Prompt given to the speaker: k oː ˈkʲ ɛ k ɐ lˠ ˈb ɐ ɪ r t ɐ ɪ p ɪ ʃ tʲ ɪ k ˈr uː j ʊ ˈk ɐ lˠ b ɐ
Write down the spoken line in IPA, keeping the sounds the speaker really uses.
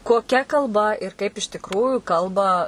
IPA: k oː ˈkʲ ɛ k ɐ lˠ ˈb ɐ ɪ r k ɐ ɪ p ɪ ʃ tʲ ɪ k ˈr uː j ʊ ˈk ɐ lˠ b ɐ

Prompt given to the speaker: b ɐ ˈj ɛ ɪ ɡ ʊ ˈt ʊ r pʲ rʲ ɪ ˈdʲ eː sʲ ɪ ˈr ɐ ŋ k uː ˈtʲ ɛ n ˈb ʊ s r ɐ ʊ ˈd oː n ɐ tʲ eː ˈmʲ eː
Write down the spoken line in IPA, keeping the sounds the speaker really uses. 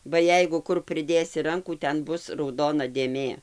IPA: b ɐ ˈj ɛ ɪ ɡ ʊ ˈk ʊ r pʲ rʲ ɪ ˈdʲ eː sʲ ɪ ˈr ɐ ŋ k uː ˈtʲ ɛ n ˈb ʊ s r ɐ ʊ ˈd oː n ɐ dʲ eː ˈmʲ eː

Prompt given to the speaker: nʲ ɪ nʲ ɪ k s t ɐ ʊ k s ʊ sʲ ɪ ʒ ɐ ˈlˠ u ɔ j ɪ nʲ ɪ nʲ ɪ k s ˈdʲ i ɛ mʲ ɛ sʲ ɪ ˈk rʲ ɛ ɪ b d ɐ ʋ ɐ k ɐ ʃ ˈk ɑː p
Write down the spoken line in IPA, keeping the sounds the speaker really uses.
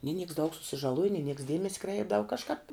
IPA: nʲ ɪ nʲ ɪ k s d ɐ ʊ k s ʊ sʲ ɪ ʒ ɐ ˈlˠ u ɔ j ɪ nʲ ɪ nʲ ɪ k s ˈdʲ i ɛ mʲ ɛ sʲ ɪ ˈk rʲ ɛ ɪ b d ɐ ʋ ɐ k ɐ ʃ ˈk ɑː p

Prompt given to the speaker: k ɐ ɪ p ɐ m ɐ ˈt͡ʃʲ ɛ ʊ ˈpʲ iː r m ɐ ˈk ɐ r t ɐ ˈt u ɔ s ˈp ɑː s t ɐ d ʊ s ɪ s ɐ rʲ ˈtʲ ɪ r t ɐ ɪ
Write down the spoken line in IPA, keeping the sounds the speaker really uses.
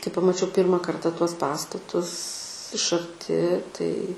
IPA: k ɐ ɪ p ɐ m ɐ ˈt͡ʃʲ ɛ ʊ ˈpʲ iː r m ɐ ˈk ɐ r t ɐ ˈt u ɔ s ˈp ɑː s t ɐ t ʊ s ɪ ʃ ɐ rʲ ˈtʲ ɪ t ɐ ɪ

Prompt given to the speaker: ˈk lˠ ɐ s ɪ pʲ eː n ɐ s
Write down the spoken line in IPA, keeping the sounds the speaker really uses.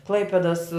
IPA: ˈk lˠ ɐ ɪ pʲ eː d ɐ s

